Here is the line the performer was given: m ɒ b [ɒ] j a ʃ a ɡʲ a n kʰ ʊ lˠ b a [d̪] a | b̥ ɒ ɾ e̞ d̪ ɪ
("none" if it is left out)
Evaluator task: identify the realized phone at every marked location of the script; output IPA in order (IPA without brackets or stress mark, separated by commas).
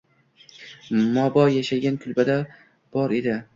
ɒ, d̪